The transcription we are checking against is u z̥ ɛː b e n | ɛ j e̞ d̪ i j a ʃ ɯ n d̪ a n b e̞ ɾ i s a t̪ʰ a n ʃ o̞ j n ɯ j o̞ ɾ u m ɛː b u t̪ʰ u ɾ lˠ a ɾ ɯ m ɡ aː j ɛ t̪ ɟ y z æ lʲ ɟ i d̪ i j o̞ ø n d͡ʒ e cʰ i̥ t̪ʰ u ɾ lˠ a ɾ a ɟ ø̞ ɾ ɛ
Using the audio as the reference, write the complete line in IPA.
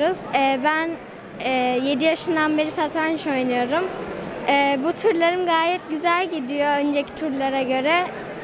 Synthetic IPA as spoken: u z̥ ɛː b æ n | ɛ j e̞ d̪ i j a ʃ ɯ n d̪ a n b e̞ ɾ i s a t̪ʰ a n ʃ o̞ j n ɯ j o̞ ɾ u m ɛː b u t̪ʰ u ɾ lˠ a ɾ ɯ m ɡ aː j ɛ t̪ ɟ y z æ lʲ ɟ i d̪ i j o̞ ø n d͡ʒ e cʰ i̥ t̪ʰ u ɾ lˠ a ɾ a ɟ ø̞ ɾ ɛ